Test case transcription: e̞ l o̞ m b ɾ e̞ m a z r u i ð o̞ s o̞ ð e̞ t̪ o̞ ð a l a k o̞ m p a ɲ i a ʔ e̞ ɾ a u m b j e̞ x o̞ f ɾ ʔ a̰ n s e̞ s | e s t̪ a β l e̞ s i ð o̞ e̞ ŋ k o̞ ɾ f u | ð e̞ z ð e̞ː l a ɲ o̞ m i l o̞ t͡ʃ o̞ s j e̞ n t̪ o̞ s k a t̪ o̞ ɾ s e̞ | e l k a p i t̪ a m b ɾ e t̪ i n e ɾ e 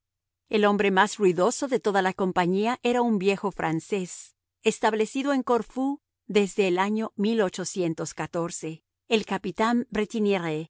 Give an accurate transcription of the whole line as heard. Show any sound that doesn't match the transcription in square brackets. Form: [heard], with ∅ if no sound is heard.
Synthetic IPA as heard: e̞ l o̞ m b ɾ e̞ m a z r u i ð o̞ s o̞ ð e̞ t̪ o̞ ð a l a k o̞ m p a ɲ i a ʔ e̞ ɾ a u m b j e̞ x o̞ f ɾ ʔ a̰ n s e̞ s | e s t̪ a β l e̞ s i ð o̞ e̞ ŋ k o̞ ɾ f u | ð e̞ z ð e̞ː l a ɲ o̞ m i l o̞ t͡ʃ o̞ s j e̞ n t̪ o̞ s k a t̪ o̞ ɾ s e̞ | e l k a p i t̪ a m b ɾ e t̪ i n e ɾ e

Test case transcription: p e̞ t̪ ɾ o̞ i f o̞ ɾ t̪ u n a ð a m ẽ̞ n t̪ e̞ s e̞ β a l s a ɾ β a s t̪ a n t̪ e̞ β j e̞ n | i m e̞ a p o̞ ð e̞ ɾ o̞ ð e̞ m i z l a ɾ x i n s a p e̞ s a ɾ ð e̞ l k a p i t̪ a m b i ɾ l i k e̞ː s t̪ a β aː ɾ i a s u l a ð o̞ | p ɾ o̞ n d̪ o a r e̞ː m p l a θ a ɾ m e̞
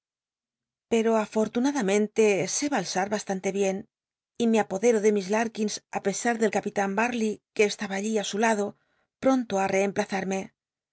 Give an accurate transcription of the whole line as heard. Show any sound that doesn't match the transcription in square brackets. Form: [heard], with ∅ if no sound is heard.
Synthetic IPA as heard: p e̞ [∅] ɾ o̞ [a] f o̞ ɾ t̪ u n a ð a m ẽ̞ n t̪ e̞ s e̞ β a l s a ɾ β a s t̪ a n t̪ e̞ β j e̞ n | i m e̞ a p o̞ ð e̞ ɾ o̞ ð e̞ m i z l a ɾ [k] i n s a p e̞ s a ɾ ð e̞ l k a p i t̪ a m b [a] ɾ l i k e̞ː s t̪ a β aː [ʎ] i a s u l a ð o̞ | p ɾ o̞ n [t̪] o a r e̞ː m p l a θ a ɾ m e̞

